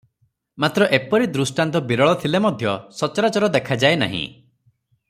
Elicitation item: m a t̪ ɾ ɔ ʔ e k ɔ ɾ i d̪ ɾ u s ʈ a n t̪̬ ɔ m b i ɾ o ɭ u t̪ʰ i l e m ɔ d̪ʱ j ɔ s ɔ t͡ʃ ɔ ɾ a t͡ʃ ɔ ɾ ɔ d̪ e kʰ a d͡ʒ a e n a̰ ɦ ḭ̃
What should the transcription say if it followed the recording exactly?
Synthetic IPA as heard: m a t̪ ɾ ɔ ʔ e p ɔ ɾ i d̪ ɾ u s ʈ a n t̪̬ ɔ b i ɾ ɔ ɭ ɔ t̪ʰ i l e m ɔ d̪ʱ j ɔ s ɔ t͡ʃ ɔ ɾ a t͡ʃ ɔ ɾ ɔ d̪ e kʰ a d͡ʒ a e n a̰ ɦ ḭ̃